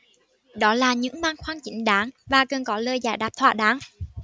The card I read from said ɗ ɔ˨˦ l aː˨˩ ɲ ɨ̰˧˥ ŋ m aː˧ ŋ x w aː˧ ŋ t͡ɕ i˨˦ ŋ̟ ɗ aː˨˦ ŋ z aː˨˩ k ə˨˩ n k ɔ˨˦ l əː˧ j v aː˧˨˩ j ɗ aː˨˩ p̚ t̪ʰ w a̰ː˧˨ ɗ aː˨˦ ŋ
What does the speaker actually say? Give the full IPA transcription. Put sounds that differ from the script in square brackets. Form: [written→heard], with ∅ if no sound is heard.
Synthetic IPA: ɗ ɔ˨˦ l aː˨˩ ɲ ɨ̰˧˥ ŋ m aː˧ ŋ x w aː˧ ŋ t͡ɕ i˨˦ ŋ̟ ɗ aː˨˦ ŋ [z→v] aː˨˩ k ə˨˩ n k ɔ˨˦ l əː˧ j [v→z] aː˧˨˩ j ɗ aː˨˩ p̚ t̪ʰ w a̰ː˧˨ ɗ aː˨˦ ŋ